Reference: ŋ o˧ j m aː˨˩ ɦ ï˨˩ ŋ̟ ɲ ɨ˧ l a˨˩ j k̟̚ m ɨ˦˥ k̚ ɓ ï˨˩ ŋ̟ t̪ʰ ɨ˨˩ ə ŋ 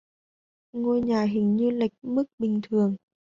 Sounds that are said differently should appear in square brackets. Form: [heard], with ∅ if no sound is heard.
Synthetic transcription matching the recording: ŋ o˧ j [ɲ] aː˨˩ ɦ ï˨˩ ŋ̟ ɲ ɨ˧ l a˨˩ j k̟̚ m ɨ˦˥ k̚ ɓ ï˨˩ ŋ̟ t̪ʰ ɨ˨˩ ə ŋ

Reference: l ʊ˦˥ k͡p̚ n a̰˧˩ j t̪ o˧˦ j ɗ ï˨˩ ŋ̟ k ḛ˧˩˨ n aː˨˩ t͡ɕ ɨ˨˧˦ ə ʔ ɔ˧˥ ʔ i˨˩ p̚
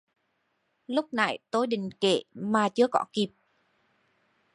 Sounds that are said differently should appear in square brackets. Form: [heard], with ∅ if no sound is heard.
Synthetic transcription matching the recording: l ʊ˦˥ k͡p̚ n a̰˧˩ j t̪ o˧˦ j ɗ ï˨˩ ŋ̟ k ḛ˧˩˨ [m] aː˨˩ t͡ɕ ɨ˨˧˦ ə [k] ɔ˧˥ [k] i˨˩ p̚

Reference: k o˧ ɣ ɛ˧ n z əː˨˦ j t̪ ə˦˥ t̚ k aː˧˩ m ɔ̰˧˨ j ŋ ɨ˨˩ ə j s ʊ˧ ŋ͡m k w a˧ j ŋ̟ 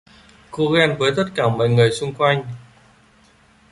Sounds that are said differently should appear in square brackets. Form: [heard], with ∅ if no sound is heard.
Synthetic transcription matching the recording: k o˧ ɣ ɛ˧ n [v] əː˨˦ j t̪ ə˦˥ t̚ k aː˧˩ m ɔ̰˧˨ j ŋ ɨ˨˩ ə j s ʊ˧ ŋ͡m k w a˧ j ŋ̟

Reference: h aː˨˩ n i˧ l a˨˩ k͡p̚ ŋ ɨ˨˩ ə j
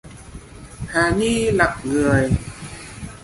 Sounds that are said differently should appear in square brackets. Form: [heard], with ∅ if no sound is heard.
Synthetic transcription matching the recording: h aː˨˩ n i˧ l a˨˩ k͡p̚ ŋ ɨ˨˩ ə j

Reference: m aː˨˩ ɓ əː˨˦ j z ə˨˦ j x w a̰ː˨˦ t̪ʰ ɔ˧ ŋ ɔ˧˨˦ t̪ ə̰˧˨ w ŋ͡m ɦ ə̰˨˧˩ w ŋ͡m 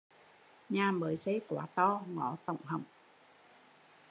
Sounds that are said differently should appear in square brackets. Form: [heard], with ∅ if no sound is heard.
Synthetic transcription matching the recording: [ɲ] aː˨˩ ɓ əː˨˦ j [s] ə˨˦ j [k] w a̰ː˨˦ [t̪] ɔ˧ ŋ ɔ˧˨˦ t̪ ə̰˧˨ w ŋ͡m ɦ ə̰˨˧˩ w ŋ͡m

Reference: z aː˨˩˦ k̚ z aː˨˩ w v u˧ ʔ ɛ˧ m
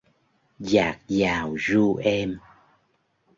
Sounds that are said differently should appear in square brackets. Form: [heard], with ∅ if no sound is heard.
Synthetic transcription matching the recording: z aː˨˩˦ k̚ z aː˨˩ w [z] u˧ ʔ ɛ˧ m

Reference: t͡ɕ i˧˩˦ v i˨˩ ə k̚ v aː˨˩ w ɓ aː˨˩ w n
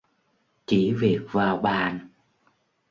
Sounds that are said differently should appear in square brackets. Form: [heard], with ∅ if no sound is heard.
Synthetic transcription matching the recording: t͡ɕ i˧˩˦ v i˨˩ ə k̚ v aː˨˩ w ɓ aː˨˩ [∅] n

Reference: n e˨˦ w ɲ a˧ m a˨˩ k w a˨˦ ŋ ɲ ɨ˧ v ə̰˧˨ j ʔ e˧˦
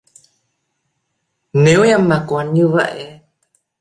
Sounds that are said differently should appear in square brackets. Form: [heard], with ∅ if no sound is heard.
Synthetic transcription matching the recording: n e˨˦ w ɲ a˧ m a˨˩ k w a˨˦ [n] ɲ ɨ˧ v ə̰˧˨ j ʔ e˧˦

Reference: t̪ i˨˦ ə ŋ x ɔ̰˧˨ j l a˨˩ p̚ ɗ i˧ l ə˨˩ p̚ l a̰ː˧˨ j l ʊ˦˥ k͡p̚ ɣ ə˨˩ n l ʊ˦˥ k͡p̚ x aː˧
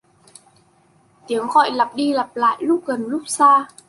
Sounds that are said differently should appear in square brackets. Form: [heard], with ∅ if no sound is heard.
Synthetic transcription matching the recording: t̪ i˨˦ ə ŋ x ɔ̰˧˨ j l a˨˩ p̚ ɗ i˧ l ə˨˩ p̚ l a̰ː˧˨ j l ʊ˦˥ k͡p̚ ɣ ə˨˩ n l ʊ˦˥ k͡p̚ [s] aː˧

